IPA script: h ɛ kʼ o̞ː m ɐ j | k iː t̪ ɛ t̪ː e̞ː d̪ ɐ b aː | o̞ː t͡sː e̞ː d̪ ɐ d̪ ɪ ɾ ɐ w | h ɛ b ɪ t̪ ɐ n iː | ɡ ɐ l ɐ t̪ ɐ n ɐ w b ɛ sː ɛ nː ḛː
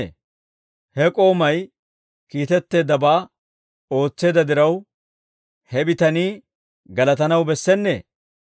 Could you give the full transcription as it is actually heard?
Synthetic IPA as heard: h ɛ kʼ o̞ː m ɐ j | k iː t̪ ɛ t̪ː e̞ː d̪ ɐ b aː | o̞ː t͡sː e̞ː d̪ ɐ d̪ ɪ ɾ ɐ w | h ɛ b ɪ t̪ ɐ n iː | ɡ ɐ l ɐ t̪ ɐ n ɐ w b ɛ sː ɛ nː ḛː